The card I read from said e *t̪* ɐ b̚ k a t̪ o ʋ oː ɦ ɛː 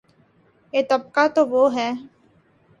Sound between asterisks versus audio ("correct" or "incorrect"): correct